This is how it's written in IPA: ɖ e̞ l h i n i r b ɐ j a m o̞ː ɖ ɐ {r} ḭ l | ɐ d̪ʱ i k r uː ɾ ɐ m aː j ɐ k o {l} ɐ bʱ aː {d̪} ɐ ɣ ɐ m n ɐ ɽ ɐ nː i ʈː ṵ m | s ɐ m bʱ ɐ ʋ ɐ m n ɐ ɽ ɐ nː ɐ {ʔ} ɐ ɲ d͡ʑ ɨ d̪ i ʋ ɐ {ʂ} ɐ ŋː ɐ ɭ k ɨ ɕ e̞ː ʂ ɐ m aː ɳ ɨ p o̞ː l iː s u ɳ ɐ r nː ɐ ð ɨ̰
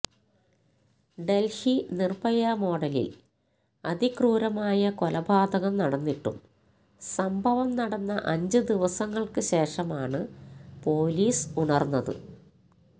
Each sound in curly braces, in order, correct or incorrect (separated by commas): incorrect, correct, correct, correct, incorrect